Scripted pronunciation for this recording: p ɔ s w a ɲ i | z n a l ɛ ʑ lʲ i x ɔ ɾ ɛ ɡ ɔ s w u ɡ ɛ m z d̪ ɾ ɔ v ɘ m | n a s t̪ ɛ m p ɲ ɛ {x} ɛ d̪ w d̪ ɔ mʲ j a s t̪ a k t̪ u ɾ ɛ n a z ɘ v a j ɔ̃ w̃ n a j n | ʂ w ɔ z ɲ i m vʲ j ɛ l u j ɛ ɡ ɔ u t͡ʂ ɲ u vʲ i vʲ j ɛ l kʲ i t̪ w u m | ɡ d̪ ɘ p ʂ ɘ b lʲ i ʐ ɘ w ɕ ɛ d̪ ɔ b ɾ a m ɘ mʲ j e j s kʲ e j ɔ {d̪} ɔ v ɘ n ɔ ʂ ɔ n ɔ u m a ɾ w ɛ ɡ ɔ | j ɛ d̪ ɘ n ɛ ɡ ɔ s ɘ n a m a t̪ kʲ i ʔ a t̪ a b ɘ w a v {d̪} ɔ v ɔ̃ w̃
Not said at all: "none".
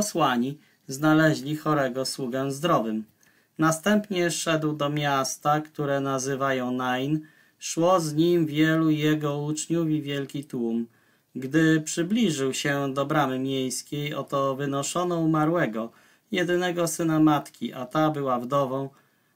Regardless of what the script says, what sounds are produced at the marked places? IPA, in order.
ʂ, t̪, d̪

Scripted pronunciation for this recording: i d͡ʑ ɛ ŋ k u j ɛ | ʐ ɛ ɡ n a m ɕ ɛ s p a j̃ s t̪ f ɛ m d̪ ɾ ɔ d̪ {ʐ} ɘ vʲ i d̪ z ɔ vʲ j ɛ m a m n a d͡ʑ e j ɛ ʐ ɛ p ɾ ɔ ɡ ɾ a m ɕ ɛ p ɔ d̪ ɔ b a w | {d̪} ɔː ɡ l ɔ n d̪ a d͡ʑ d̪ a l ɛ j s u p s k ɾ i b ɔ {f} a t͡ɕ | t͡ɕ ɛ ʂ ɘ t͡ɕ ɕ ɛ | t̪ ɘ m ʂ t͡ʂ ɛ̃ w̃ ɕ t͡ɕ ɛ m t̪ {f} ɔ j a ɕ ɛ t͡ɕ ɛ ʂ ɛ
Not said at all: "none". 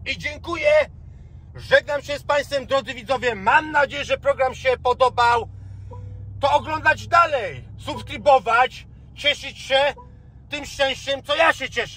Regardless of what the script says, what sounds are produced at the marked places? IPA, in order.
z, t̪, v, s

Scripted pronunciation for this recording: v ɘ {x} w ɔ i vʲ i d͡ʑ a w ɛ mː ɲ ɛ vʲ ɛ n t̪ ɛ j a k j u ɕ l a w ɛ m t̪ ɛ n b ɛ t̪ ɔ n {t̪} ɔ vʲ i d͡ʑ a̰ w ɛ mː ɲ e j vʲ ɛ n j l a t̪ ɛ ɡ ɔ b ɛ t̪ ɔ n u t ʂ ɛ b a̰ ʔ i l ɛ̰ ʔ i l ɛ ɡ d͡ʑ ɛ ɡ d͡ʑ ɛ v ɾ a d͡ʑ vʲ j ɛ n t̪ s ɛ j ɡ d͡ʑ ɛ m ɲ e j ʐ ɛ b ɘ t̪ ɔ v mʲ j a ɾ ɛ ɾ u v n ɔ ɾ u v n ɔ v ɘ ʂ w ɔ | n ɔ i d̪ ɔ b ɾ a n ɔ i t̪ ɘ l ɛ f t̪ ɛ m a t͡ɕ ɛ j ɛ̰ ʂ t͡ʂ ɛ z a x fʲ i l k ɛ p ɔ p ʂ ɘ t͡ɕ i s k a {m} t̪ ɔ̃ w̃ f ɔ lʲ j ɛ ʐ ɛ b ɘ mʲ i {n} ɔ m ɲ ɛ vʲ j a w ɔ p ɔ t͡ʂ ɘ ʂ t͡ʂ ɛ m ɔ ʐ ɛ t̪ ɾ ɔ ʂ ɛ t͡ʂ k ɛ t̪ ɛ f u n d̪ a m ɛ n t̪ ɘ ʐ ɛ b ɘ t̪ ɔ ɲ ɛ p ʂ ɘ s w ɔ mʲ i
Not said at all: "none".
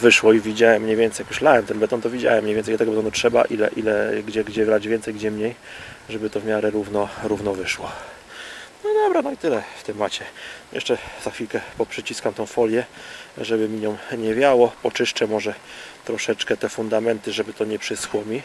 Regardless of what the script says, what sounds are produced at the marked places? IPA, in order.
ʂ, t̪, m, ɲ

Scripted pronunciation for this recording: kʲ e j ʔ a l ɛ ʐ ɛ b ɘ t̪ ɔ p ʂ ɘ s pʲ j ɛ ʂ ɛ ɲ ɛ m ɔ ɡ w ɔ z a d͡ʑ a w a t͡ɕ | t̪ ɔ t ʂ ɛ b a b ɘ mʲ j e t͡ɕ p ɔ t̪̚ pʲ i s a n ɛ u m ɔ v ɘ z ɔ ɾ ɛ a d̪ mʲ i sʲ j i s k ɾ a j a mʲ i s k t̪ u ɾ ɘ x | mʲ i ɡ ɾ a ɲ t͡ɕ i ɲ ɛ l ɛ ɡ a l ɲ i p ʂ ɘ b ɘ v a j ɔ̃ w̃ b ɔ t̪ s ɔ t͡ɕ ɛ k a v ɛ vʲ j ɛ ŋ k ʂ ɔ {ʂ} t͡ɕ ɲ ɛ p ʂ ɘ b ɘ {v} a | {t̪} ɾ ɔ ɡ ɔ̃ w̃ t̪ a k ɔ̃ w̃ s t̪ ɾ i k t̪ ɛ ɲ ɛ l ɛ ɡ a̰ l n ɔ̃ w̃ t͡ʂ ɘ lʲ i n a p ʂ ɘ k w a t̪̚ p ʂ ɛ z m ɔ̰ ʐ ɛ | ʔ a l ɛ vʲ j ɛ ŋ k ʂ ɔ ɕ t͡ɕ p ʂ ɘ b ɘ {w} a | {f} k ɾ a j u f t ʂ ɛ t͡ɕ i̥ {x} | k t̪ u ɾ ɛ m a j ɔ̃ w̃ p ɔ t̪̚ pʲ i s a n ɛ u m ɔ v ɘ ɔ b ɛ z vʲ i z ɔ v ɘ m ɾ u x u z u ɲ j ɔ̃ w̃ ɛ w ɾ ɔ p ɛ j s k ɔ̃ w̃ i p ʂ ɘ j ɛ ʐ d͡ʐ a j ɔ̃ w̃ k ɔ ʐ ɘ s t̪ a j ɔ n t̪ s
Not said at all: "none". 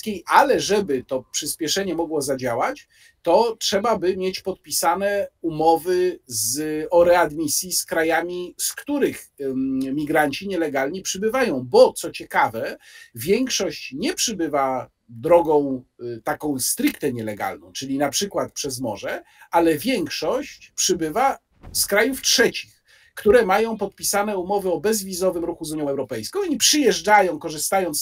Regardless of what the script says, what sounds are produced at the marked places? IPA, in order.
ɕ, v, d̪, v, s, x

